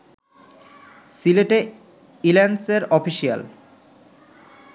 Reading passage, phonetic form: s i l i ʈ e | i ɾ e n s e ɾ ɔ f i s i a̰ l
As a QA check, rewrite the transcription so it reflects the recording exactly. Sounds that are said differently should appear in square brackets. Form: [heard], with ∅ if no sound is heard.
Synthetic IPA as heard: s i l [e] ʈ e | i [l] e n s e ɾ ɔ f i [ʃ] i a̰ l